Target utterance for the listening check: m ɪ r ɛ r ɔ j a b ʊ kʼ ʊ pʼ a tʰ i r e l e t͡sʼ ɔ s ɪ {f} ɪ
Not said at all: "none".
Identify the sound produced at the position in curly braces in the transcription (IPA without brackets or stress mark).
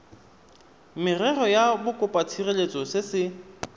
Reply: s